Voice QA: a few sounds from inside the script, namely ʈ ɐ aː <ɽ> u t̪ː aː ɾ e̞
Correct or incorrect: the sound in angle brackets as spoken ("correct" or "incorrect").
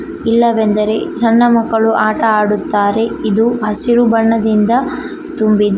correct